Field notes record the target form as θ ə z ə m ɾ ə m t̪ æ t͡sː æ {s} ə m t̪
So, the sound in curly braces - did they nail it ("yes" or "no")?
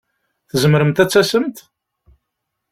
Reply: yes